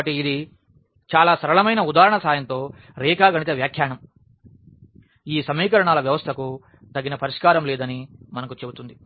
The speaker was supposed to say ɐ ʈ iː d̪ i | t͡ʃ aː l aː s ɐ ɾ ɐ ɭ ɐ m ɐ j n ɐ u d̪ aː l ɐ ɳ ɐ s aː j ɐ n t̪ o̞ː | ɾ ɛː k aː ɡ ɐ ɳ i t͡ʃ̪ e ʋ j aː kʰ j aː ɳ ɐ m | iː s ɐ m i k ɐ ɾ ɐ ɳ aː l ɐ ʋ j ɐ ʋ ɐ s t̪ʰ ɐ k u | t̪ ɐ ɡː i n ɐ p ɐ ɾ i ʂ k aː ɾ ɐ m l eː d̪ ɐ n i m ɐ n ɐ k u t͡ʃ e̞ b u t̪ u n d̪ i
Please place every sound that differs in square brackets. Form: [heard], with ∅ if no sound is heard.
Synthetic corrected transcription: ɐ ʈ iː d̪ i | t͡ʃ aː l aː s ɐ ɾ ɐ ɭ ɐ m ɐ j n ɐ u d̪ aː [ɾ] ɐ ɳ ɐ s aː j ɐ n t̪ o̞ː | ɾ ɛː k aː ɡ ɐ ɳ i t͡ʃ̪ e ʋ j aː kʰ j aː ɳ ɐ m | iː s ɐ m [iː] k ɐ ɾ ɐ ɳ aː l ɐ ʋ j ɐ ʋ ɐ s t̪ʰ ɐ k u | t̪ ɐ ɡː i n ɐ p ɐ ɾ i ʂ k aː ɾ ɐ m l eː d̪ ɐ n i m ɐ n ɐ k u t͡ʃ e̞ b u t̪ u n d̪ i